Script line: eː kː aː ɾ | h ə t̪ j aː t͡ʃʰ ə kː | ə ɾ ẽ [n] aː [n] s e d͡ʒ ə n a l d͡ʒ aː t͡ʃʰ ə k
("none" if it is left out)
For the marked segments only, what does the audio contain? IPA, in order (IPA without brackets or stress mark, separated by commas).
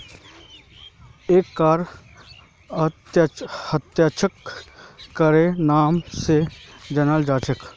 n, m